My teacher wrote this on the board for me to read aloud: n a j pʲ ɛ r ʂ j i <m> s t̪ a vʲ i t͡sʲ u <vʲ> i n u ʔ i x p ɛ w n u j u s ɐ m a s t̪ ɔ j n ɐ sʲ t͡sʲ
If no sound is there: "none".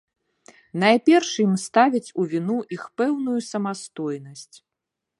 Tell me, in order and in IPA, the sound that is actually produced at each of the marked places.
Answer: m, vʲ

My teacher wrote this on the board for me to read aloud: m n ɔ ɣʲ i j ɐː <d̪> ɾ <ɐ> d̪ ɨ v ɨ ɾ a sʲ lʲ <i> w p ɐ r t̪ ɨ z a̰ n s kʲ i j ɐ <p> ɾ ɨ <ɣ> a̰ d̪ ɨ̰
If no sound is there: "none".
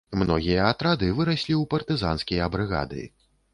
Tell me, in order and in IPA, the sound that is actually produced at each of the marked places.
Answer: t̪, a, i, b, ɣ

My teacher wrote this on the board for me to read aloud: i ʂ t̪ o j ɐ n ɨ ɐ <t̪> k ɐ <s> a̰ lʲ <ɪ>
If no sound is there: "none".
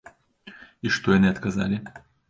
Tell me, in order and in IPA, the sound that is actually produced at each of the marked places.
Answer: t̪, z, ɪ

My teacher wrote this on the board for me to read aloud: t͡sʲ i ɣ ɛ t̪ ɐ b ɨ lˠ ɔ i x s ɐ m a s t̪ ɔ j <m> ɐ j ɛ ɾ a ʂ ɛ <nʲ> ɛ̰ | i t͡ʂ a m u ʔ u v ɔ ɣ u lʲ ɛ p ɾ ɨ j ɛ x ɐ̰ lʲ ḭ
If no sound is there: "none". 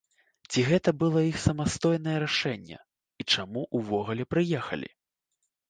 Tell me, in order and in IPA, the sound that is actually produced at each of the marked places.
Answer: n, nʲː

